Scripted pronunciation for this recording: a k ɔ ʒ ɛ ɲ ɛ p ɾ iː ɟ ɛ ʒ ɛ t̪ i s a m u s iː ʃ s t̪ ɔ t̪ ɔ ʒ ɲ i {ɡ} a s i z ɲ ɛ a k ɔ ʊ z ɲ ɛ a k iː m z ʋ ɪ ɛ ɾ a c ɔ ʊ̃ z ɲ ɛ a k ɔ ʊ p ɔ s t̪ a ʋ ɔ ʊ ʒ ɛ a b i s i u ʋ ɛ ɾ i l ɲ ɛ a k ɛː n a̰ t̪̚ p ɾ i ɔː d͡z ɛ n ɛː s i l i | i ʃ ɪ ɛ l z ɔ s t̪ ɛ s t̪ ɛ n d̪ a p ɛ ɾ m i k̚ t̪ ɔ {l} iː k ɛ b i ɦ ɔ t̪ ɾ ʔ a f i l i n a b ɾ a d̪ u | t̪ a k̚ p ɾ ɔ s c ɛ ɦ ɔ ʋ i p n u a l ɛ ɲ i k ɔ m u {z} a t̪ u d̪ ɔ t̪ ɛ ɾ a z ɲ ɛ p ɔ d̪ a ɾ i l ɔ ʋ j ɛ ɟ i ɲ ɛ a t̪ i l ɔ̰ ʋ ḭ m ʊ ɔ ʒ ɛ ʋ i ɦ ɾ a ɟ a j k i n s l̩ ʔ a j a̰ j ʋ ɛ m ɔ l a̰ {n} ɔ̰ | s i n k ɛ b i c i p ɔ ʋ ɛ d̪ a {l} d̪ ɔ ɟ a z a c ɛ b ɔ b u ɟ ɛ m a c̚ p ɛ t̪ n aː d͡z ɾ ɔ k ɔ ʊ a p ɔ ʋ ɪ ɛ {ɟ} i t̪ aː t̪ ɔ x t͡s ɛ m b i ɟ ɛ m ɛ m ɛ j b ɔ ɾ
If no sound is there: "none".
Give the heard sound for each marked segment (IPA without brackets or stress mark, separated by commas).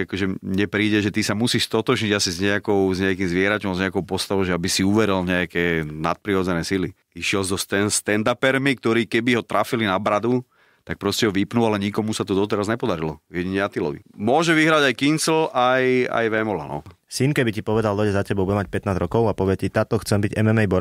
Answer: ɟ, ɾ, s, n, l, c